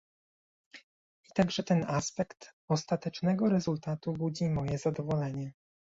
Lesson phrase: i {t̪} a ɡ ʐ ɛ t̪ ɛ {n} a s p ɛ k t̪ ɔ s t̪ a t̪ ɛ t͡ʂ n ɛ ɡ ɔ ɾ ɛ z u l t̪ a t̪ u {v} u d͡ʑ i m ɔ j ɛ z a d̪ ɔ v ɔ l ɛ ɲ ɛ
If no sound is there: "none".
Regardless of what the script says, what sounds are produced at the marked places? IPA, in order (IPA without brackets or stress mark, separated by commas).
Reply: t̪, n, b